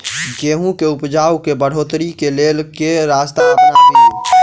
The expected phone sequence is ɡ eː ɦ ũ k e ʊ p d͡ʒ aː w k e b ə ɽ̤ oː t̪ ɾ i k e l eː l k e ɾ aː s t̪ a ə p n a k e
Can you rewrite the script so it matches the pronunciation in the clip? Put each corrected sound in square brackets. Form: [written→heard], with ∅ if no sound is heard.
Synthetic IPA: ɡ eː ɦ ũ k e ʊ p d͡ʒ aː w k e b ə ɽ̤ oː t̪ ɾ i k e l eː l k e ɾ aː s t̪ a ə p n a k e